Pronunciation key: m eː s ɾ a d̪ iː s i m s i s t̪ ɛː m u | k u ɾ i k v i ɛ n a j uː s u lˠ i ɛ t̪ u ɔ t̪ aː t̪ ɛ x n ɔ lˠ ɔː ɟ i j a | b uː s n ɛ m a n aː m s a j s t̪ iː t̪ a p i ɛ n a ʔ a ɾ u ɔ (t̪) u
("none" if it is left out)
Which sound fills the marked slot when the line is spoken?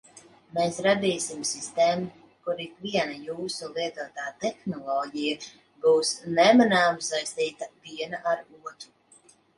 t̪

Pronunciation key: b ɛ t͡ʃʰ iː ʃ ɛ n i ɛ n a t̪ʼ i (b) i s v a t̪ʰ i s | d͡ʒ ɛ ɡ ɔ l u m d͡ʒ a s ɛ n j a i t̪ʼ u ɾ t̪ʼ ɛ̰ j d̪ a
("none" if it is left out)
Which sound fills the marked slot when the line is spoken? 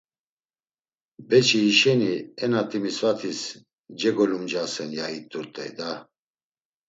m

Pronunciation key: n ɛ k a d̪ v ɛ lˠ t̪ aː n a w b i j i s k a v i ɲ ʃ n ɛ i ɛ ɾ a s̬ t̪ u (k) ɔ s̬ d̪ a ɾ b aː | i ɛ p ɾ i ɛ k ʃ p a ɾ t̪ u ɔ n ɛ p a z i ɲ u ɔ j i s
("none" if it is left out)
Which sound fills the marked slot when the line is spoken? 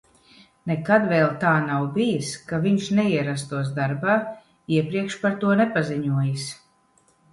none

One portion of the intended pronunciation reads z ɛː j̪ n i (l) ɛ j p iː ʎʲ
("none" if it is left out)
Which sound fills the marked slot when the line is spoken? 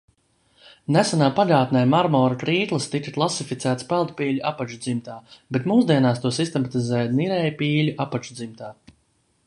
ɾ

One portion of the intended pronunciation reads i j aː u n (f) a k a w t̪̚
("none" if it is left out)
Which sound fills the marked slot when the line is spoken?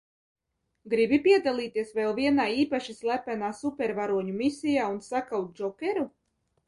s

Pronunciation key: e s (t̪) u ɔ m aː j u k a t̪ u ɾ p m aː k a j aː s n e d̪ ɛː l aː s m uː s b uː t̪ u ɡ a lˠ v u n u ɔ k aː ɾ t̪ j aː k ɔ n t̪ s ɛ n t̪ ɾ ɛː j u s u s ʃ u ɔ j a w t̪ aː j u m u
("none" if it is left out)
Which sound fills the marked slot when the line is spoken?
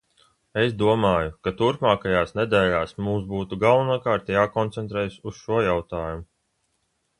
d̪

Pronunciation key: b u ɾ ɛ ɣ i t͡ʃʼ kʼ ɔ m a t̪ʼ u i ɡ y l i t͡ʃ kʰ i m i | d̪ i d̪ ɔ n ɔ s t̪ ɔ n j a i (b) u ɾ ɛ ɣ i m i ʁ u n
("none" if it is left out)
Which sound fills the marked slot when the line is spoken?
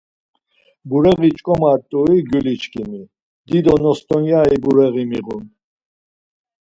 b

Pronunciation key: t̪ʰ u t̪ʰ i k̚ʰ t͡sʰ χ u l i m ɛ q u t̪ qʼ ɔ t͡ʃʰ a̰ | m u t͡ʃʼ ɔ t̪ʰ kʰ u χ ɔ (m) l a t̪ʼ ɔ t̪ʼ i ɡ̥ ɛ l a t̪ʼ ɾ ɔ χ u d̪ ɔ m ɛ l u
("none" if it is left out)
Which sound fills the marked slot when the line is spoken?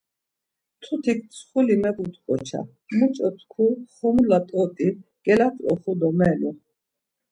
m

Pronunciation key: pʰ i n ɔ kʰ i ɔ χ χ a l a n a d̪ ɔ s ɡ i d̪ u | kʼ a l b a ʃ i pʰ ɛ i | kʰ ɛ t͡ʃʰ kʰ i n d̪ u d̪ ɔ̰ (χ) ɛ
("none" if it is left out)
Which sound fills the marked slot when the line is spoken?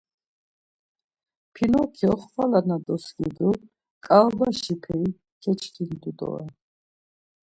none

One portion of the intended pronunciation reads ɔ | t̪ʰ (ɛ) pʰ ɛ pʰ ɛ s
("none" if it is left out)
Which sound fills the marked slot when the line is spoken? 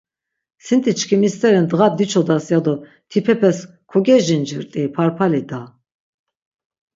i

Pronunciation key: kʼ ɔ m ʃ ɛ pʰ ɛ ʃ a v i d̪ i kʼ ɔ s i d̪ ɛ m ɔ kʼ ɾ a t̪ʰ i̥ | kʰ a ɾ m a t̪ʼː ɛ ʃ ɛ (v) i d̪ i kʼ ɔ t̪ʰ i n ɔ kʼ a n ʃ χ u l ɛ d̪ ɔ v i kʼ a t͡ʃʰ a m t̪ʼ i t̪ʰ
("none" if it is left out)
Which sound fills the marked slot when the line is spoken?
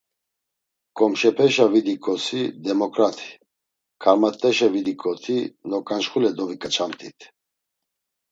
v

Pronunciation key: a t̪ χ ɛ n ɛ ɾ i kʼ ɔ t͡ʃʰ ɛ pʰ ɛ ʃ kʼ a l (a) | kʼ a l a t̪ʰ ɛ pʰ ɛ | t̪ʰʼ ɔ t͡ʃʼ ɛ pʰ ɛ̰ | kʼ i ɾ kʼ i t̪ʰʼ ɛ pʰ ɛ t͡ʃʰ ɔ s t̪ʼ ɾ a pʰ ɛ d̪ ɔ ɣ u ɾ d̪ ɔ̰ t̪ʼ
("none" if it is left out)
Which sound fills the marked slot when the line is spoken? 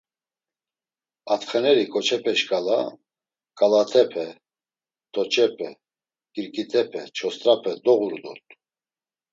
a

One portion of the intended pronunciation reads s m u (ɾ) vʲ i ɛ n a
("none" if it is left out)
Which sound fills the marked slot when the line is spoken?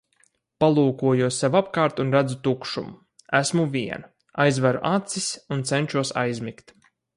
none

